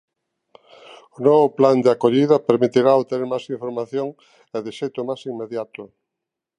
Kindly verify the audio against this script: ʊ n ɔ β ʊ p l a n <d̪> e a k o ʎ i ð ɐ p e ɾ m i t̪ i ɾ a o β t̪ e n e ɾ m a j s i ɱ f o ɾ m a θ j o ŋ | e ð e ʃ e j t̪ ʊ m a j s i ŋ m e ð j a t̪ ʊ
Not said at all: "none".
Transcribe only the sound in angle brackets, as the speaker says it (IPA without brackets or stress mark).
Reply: d̪